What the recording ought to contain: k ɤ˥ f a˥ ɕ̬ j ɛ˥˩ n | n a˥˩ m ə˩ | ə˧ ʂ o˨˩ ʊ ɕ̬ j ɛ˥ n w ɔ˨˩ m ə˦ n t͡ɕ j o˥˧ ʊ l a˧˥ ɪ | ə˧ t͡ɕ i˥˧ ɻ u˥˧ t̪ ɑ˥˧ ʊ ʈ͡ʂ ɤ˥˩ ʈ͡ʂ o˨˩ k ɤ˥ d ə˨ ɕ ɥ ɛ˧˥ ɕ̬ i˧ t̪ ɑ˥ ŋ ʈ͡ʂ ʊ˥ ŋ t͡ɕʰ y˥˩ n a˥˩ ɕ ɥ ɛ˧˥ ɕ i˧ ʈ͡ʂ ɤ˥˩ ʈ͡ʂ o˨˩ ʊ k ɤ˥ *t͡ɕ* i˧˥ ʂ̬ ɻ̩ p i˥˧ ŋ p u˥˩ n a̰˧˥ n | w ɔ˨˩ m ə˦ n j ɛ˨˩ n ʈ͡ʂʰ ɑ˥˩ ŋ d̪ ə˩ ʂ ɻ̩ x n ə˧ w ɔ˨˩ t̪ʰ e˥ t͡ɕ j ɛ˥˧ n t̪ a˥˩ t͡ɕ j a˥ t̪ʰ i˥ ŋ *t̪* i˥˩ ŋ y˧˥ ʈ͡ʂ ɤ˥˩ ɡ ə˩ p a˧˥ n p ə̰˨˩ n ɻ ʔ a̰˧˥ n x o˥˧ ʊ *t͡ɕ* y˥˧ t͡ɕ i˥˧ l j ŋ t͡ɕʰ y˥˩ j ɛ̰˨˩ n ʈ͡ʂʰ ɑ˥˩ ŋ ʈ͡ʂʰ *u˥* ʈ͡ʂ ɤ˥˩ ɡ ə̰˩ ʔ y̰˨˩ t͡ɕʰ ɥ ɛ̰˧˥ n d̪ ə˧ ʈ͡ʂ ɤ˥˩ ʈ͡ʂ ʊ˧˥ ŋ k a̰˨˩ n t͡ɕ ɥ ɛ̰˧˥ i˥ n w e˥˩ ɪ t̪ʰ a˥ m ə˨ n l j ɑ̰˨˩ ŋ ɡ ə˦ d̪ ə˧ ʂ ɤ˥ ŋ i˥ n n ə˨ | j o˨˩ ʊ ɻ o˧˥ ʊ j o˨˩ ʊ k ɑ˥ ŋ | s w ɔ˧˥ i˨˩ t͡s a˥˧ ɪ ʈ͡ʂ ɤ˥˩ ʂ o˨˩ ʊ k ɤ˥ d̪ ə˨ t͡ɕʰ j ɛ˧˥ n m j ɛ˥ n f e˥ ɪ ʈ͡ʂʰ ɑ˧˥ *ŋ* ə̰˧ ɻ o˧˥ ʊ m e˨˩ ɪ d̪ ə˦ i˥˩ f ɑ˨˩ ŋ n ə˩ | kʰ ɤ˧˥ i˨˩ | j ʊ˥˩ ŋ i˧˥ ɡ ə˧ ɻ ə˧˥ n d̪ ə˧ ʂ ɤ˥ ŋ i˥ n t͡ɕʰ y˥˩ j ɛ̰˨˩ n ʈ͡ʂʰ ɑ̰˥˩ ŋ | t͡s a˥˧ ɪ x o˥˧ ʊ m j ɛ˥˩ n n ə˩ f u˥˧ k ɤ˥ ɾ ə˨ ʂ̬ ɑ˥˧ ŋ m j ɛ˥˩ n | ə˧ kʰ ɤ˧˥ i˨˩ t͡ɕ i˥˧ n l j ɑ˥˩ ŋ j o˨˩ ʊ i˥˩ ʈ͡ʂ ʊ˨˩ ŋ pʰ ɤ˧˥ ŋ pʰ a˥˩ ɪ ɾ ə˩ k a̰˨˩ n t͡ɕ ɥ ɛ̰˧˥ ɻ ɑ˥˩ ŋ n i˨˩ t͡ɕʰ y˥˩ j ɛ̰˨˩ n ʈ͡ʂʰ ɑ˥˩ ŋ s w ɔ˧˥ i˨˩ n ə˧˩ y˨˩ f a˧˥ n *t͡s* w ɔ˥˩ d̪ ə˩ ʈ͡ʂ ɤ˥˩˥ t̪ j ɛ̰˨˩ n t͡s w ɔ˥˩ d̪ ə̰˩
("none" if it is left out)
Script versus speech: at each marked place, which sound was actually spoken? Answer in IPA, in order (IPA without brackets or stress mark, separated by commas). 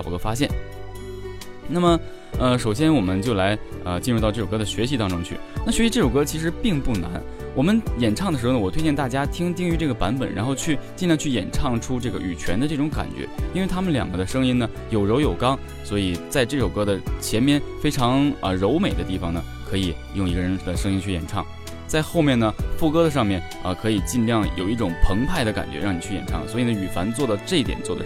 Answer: t͡ɕʰ, t̪, t͡ɕʰ, u˥, ŋ, t͡s